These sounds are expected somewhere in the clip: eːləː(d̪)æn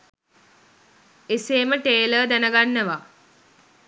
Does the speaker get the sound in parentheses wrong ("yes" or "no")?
no